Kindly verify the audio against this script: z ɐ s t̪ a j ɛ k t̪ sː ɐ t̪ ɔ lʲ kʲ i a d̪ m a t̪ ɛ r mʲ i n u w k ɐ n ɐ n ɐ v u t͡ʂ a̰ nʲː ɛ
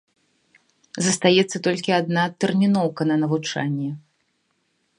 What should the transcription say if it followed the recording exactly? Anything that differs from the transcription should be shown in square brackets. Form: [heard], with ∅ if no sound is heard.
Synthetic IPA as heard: z ɐ s t̪ a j ɛ [∅] t̪ sː ɐ t̪ ɔ lʲ kʲ i a d̪ [n] a t̪ ɛ r mʲ i n [ɔ] w k ɐ n ɐ n ɐ v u t͡ʂ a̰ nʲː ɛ